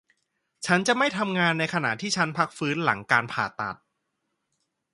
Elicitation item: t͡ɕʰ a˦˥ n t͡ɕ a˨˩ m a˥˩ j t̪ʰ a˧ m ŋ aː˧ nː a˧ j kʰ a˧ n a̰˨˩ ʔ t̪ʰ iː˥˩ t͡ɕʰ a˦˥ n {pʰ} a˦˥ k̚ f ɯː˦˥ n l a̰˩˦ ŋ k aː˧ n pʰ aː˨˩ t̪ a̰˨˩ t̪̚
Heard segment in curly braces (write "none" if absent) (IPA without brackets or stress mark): pʰ